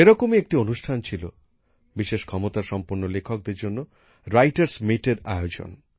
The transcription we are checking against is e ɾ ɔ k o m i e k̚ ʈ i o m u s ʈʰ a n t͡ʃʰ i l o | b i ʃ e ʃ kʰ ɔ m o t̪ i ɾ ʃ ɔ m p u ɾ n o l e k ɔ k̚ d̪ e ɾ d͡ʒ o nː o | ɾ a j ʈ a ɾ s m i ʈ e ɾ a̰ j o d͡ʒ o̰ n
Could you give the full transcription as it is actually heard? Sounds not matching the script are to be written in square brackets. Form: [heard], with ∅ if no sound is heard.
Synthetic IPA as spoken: e ɾ ɔ k o m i e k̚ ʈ i o [n] u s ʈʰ a n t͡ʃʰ i l o | b i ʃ e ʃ kʰ ɔ m o t̪ [a] ɾ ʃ ɔ m p u ɾ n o l e [kʰ] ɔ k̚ d̪ e ɾ d͡ʒ o nː o | ɾ a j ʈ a ɾ s m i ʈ e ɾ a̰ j o d͡ʒ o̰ n